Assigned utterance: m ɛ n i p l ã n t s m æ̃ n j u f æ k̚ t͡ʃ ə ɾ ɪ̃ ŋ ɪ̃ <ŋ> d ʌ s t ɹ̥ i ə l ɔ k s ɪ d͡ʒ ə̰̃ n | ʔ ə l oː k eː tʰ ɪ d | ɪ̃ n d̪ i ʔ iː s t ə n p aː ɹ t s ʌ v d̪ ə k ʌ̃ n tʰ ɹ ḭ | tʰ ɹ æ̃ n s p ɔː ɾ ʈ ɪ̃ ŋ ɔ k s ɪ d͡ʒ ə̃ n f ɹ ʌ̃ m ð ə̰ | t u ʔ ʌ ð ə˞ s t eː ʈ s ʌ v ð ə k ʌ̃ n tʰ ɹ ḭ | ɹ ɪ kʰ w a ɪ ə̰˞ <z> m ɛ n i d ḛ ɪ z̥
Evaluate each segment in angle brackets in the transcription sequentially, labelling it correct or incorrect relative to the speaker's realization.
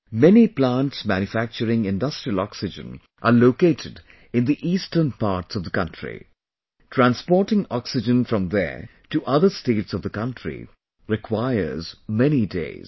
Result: incorrect: n, correct

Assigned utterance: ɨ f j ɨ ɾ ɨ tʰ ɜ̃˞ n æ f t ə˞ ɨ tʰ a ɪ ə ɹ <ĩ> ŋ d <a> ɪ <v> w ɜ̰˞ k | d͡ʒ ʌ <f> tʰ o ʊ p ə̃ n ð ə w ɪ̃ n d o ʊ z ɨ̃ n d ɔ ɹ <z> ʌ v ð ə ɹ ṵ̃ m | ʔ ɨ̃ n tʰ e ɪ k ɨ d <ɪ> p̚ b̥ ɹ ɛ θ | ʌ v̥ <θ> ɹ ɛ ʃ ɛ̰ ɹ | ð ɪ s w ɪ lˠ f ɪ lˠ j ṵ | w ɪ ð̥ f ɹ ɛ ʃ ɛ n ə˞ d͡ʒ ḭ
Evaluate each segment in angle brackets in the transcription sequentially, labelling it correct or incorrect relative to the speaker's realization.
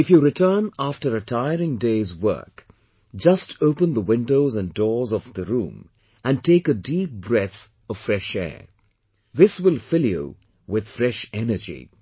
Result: incorrect: ɪ̃, incorrect: e, incorrect: z, incorrect: s, correct, incorrect: i, incorrect: f

